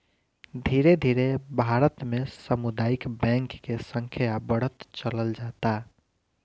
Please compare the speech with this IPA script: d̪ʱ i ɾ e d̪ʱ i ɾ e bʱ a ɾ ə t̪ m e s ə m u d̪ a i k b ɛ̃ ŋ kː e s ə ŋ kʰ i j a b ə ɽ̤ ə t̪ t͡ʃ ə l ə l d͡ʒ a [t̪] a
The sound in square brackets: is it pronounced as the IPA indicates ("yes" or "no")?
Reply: yes